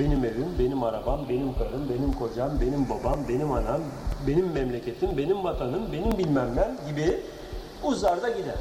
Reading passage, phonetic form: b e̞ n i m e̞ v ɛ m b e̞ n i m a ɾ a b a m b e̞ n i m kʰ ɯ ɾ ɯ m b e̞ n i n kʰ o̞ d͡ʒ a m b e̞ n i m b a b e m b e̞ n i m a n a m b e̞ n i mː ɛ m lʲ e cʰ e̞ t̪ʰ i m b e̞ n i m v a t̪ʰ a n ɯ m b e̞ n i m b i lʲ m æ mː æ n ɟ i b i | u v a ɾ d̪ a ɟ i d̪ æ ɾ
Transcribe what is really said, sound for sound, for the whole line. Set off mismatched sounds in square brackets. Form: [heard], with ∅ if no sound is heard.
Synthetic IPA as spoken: b e̞ n i m e̞ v [i] m b e̞ n i m a ɾ a b a m b e̞ n i m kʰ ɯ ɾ ɯ m b e̞ n i [m] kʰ o̞ d͡ʒ a m b e̞ n i m b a b [a] m b e̞ n i m a n a m b e̞ n i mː ɛ m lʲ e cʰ e̞ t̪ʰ i m b e̞ n i m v a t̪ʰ a n ɯ m b e̞ n i m b i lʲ m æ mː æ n ɟ i b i | u [z] a ɾ d̪ a ɟ i d̪ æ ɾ